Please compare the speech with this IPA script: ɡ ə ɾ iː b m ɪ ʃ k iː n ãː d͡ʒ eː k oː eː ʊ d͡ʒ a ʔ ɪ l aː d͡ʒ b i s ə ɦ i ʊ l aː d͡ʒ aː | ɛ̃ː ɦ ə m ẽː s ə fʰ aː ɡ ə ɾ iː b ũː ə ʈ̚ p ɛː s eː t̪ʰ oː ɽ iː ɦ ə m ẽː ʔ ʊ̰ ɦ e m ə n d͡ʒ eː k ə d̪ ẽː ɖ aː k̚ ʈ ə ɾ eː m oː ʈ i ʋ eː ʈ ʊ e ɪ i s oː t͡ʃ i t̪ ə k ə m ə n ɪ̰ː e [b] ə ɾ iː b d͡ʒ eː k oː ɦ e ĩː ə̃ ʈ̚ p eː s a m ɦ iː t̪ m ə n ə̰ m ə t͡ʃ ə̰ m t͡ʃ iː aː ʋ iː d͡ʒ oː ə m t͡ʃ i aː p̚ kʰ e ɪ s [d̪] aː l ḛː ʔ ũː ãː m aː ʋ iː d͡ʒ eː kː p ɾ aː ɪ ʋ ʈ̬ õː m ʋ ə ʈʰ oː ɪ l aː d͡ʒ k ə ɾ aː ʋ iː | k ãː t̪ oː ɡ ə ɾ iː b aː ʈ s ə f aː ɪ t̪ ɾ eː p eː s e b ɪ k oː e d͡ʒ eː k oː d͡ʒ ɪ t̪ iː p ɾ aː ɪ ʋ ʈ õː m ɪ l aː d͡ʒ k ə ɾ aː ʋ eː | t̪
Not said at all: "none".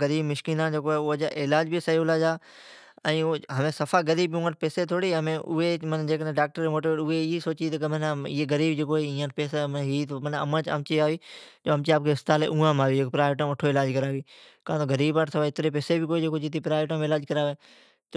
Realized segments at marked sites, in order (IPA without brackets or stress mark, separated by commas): ɡ, t̪